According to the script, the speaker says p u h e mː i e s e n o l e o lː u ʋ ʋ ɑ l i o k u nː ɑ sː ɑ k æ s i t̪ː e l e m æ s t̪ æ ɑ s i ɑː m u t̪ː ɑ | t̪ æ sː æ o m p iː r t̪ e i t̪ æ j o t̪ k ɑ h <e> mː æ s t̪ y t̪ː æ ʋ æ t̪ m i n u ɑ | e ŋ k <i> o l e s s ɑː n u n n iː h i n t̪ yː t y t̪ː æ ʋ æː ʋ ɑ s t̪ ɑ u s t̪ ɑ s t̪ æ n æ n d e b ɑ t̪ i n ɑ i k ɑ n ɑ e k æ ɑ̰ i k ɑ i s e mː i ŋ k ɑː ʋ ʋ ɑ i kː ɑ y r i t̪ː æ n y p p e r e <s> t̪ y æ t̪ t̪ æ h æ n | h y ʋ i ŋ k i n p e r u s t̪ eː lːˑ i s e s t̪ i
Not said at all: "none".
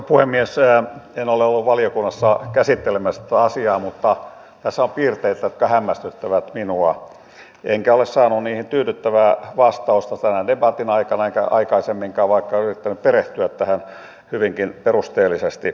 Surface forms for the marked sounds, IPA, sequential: æ, æ, h

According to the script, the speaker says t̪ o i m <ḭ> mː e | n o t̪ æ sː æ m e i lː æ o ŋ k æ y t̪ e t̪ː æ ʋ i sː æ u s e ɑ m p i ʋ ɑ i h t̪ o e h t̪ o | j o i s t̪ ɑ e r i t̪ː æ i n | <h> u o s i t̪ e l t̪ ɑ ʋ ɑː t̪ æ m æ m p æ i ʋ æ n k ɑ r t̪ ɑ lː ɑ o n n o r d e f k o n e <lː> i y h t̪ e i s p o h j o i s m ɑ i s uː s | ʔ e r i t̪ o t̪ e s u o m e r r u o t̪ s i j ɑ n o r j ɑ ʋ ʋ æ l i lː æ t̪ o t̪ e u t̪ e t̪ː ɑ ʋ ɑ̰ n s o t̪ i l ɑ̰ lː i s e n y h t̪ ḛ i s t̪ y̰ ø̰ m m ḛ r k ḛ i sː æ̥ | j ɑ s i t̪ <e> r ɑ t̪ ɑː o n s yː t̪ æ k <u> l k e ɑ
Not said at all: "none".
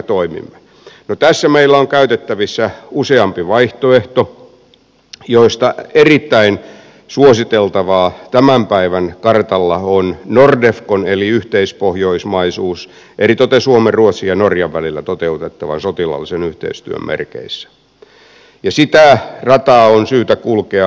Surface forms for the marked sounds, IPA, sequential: ḭ, s, l, æ, u

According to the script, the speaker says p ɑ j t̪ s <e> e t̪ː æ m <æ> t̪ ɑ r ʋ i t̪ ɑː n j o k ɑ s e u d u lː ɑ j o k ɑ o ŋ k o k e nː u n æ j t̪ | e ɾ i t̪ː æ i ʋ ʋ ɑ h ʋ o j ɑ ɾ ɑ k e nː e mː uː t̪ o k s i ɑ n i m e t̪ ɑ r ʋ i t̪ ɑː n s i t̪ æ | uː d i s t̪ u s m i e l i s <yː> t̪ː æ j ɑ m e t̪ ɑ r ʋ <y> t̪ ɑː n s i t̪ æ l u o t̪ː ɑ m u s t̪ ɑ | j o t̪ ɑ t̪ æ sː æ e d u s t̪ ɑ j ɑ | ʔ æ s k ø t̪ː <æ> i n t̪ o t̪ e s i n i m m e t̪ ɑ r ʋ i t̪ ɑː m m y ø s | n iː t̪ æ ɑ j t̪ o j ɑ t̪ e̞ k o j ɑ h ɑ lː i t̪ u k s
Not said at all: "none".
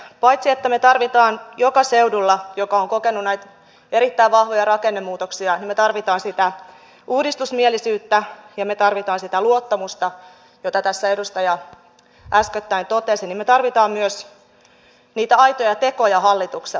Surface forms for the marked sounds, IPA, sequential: i, e, yː, i, æ

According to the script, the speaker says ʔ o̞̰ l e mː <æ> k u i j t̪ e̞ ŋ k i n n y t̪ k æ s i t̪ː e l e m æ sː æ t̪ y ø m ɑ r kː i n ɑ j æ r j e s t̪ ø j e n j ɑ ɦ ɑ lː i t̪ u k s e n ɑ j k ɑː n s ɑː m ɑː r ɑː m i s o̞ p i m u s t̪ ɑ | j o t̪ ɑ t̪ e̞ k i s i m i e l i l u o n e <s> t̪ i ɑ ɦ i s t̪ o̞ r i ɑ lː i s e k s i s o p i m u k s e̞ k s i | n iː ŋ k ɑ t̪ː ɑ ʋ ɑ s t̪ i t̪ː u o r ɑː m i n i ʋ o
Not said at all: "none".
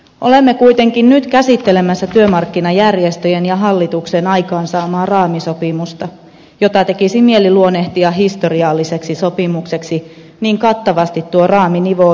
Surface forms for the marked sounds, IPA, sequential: e, h

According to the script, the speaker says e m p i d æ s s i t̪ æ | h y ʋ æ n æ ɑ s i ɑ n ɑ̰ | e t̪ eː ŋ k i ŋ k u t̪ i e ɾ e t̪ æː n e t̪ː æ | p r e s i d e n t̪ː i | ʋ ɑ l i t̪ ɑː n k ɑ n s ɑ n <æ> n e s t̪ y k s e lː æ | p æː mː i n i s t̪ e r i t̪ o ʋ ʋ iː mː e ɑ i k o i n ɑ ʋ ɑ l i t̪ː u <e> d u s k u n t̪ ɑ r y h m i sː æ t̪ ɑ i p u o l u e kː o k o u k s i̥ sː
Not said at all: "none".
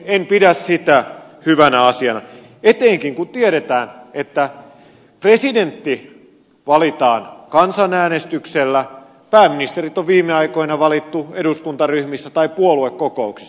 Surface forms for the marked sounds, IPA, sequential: æː, e

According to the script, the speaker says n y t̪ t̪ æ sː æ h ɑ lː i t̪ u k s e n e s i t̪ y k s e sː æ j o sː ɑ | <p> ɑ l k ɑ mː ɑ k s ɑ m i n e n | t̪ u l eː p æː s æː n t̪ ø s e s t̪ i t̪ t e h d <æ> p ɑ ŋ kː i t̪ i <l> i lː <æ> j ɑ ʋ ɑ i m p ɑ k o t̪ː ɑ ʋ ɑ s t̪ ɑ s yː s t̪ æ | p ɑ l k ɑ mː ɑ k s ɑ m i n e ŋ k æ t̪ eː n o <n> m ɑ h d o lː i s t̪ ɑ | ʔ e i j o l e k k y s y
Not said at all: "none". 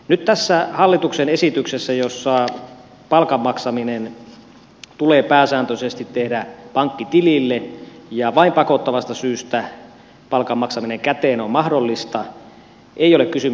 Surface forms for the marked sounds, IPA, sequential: p, æ, l, e, m

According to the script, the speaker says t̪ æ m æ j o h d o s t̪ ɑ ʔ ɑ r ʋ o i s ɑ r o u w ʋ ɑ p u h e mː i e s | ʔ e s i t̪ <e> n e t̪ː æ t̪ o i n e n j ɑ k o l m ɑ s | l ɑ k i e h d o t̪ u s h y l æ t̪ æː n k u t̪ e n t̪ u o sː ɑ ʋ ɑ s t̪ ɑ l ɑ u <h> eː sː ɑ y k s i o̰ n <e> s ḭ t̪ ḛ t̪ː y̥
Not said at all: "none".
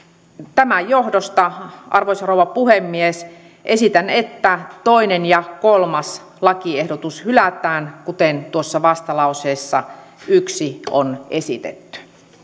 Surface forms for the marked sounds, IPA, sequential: æ, s, e

